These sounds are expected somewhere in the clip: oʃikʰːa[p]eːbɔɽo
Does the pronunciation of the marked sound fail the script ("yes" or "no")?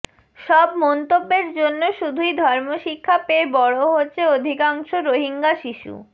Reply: no